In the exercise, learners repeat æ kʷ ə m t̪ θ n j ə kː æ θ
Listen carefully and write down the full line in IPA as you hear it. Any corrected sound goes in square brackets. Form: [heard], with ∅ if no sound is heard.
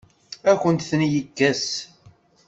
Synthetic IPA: æ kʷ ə [n] t̪ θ n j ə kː æ [s]

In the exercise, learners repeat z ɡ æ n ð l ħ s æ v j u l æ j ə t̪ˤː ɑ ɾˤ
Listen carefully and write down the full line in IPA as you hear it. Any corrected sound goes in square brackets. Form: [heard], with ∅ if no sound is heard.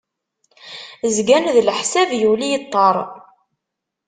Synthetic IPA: z ɡ æ n ð l ħ s æ v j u l [i] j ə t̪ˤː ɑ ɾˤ

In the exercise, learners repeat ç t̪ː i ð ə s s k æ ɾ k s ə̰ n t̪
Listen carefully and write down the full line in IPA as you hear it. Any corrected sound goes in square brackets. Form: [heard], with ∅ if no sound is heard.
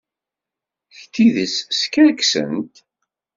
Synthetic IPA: ç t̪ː i ð ə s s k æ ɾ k s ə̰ n t̪

